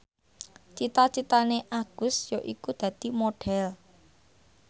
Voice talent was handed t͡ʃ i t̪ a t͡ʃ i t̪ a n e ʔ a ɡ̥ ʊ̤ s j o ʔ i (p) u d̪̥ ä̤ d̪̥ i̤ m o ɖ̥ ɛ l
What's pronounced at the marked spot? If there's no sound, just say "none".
k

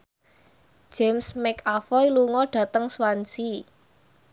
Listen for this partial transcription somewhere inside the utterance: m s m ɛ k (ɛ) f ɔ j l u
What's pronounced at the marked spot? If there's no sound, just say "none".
a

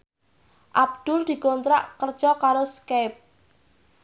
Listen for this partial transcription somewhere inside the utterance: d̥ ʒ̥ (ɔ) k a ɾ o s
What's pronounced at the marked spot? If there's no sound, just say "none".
ɔ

